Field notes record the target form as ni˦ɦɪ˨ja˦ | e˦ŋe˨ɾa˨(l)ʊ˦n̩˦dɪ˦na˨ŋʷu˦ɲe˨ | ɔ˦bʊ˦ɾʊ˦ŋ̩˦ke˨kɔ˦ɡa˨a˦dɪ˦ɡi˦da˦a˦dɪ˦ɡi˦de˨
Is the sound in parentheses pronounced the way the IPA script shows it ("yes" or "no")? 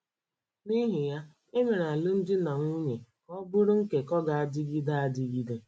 yes